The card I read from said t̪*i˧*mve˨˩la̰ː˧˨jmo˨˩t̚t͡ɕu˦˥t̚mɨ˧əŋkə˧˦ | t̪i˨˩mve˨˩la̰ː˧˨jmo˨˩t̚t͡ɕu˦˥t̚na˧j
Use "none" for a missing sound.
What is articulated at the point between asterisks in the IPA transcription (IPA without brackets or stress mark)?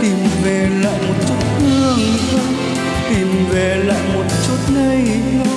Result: i˨˩